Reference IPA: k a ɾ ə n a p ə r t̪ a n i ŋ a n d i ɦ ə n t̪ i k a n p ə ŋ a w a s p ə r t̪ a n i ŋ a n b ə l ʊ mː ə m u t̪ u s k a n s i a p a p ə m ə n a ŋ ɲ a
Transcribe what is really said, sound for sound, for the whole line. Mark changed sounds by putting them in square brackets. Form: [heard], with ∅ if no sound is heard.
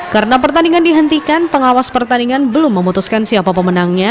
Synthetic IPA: k a ɾ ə n a p ə r t̪ a n i ŋ a n d i ɦ ə n t̪ i k a n p ə ŋ a w a s p ə r t̪ a n i ŋ a n b ə l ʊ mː ə m u t̪ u s k a n s i a p a p ə m ə n a ŋ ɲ a